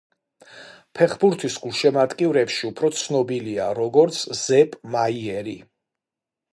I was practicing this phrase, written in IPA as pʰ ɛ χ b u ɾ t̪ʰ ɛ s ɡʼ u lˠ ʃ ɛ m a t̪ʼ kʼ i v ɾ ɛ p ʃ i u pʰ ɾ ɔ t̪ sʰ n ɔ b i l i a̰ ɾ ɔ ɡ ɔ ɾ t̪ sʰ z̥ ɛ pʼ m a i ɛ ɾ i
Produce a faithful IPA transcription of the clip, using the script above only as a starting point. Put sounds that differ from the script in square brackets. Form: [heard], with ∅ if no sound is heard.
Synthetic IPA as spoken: pʰ ɛ χ b u ɾ t̪ʰ [i] s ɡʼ u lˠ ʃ ɛ m a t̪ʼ kʼ i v ɾ ɛ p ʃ i u pʰ ɾ ɔ t̪ sʰ n ɔ b i l i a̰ ɾ ɔ ɡ ɔ ɾ t̪ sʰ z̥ ɛ pʼ m a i ɛ ɾ i

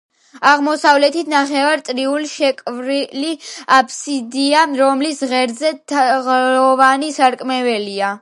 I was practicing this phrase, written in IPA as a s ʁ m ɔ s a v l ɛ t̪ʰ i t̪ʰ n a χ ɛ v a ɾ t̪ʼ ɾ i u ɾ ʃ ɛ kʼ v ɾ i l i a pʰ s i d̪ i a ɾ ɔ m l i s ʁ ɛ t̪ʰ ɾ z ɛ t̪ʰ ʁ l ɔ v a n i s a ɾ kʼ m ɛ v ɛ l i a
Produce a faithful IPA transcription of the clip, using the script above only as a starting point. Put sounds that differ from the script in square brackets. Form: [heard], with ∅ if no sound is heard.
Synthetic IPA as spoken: a [∅] ʁ m ɔ s a v l ɛ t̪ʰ i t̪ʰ n a χ ɛ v a ɾ t̪ʼ ɾ i u [l] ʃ ɛ kʼ v ɾ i l i a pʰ s i d̪ i a ɾ ɔ m l i s ʁ ɛ [∅] ɾ z ɛ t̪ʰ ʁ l ɔ v a n i s a ɾ kʼ m ɛ v ɛ l i a

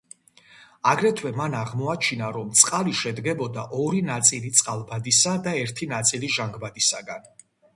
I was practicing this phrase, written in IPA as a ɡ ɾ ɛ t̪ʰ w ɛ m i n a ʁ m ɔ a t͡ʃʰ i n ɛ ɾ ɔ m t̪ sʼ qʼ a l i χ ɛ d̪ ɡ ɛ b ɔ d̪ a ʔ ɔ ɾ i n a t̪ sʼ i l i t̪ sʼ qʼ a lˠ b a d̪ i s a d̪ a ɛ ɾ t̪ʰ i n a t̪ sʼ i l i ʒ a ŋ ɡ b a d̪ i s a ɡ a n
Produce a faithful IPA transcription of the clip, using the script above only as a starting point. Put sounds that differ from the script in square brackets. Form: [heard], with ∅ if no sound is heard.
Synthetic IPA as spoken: a ɡ ɾ ɛ t̪ʰ w ɛ m [a] n a ʁ m ɔ a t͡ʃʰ i n [a] ɾ ɔ m t̪ sʼ qʼ a l i [ʃ] ɛ d̪ ɡ ɛ b ɔ d̪ a ʔ ɔ ɾ i n a t̪ sʼ i l i t̪ sʼ qʼ a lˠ b a d̪ i s a d̪ a ɛ ɾ t̪ʰ i n a t̪ sʼ i l i ʒ a ŋ ɡ b a d̪ i s a ɡ a n

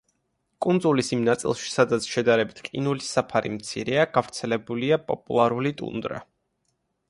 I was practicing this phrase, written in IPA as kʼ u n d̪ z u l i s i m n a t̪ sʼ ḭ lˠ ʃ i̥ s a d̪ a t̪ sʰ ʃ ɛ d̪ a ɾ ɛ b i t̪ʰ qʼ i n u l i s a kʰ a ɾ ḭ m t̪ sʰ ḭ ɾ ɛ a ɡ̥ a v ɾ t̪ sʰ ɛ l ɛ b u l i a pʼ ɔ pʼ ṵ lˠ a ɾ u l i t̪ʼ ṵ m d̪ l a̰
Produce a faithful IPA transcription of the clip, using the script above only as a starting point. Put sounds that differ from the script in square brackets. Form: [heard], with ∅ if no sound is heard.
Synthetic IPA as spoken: kʼ u n d̪ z u l i s i m n a t̪ sʼ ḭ lˠ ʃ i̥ s a d̪ a t̪ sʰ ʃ ɛ d̪ a ɾ ɛ b i t̪ʰ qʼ i n u l i s a [pʰ] a ɾ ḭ m t̪ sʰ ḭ ɾ ɛ a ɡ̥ a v ɾ t̪ sʰ ɛ l ɛ b u l i a pʼ ɔ pʼ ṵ lˠ a ɾ u l i t̪ʼ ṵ [n] d̪ [ɾ] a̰

